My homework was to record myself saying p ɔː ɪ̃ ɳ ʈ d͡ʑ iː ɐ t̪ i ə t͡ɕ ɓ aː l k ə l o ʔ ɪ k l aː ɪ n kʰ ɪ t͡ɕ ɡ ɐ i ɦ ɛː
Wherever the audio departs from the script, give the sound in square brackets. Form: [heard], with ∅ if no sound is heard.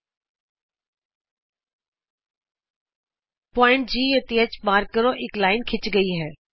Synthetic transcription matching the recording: p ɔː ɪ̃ ɳ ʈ d͡ʑ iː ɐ t̪ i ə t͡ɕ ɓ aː [ɾ] k ə [ɾ] o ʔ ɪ k l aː ɪ n kʰ ɪ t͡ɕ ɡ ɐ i ɦ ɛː